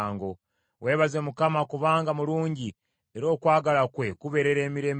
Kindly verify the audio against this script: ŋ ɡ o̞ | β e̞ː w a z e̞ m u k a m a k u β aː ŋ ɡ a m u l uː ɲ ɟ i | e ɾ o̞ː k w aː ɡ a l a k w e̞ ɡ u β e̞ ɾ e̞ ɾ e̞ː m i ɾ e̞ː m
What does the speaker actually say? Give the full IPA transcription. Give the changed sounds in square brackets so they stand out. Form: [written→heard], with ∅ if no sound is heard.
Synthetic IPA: ŋ ɡ o̞ | [β→w] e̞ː [w→β] a z e̞ m u k a m a k u β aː ŋ ɡ a m u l uː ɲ ɟ i | e ɾ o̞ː k w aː ɡ a l a k w e̞ [ɡ→k] u β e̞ ɾ e̞ ɾ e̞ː m i ɾ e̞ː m